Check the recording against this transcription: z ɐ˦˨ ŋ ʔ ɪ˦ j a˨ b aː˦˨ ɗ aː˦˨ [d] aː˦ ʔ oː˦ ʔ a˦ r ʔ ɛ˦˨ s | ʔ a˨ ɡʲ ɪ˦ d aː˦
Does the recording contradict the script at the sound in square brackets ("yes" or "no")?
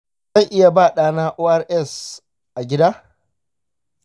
yes